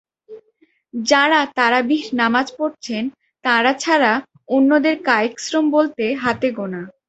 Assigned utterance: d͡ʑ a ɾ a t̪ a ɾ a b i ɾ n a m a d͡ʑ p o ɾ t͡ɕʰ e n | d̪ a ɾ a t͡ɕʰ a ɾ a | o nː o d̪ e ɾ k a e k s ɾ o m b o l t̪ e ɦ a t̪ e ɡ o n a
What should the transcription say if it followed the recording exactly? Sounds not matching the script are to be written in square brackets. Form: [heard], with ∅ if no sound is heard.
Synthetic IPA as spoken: d͡ʑ a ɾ a t̪ a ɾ a b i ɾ n a m a d͡ʑ p o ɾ t͡ɕʰ e n | [t̪] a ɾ a t͡ɕʰ a ɾ a | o nː o d̪ e ɾ k a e k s ɾ o m b o l t̪ e ɦ a t̪ e ɡ o n a